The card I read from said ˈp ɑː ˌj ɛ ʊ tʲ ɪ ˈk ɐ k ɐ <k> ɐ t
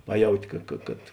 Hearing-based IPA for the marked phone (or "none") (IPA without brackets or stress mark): k